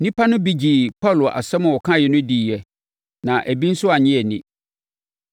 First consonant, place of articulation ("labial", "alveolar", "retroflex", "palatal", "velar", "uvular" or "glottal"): alveolar